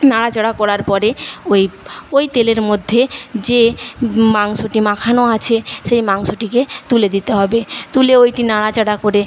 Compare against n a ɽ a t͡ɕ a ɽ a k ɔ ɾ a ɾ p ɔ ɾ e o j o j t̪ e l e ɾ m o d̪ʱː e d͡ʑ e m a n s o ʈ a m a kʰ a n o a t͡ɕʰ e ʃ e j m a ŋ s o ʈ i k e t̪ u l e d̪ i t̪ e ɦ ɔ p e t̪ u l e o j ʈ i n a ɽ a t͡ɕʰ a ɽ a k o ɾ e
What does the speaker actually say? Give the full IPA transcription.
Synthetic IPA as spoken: n a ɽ a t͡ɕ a ɽ a k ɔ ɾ a ɾ p ɔ ɾ e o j o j t̪ e l e ɾ m o d̪ʱː e d͡ʑ e m a ŋ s o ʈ i m a kʰ a n o a t͡ɕʰ e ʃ e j m a ŋ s o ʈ i k e t̪ u l e d̪ i t̪ e ɦ ɔ b e t̪ u l e o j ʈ i n a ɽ a t͡ɕ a ɽ a k o ɾ e